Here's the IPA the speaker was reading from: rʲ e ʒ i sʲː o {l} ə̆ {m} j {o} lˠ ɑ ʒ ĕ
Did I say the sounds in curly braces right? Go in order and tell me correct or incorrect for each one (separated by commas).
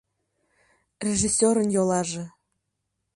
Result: incorrect, incorrect, correct